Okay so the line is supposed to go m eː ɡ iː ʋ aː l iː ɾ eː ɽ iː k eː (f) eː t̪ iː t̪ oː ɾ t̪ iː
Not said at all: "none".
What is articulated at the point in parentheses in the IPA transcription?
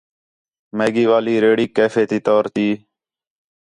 f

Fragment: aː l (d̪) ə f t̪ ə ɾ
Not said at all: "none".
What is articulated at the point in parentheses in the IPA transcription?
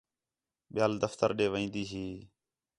d̪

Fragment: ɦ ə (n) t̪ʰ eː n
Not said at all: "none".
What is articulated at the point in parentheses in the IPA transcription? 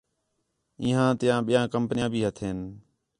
none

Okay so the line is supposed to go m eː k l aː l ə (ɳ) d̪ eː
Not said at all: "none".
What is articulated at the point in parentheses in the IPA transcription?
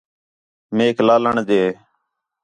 ɳ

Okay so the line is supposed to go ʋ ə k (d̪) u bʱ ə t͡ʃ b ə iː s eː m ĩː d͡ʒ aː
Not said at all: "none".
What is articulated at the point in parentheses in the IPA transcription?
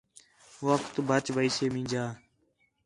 t̪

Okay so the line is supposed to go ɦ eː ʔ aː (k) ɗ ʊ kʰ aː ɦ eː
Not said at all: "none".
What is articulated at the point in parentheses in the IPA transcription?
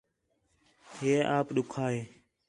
p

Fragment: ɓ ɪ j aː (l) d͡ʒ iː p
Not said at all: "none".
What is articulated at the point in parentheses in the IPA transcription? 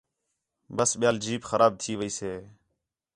l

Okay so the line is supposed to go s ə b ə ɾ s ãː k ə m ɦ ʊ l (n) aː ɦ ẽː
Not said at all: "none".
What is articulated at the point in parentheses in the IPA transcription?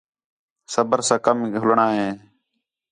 ɳ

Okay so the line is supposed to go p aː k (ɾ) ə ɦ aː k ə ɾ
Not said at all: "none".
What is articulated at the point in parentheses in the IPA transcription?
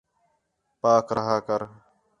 ɾ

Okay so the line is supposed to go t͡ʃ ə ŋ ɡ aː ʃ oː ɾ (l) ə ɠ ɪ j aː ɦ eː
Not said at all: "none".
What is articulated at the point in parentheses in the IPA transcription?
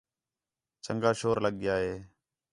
l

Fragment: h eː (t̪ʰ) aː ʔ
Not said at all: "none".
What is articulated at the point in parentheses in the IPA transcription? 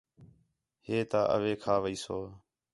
t̪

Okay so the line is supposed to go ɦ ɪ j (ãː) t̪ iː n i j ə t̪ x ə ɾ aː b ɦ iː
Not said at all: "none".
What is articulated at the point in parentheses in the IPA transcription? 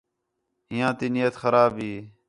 ãː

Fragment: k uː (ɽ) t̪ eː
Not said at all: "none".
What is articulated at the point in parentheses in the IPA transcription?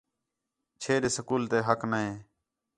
l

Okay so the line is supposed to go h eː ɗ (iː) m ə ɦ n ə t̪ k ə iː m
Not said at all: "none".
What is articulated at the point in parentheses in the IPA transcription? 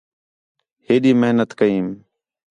iː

